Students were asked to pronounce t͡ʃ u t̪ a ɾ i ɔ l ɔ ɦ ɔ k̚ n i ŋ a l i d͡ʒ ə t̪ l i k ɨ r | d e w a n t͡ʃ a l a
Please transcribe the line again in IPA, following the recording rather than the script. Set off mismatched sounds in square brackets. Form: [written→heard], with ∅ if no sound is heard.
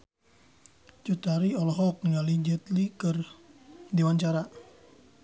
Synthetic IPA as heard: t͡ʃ u t̪ a ɾ i ɔ l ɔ ɦ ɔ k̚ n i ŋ a l i d͡ʒ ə t̪ l i k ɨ r | d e w a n t͡ʃ a [l→ɾ] a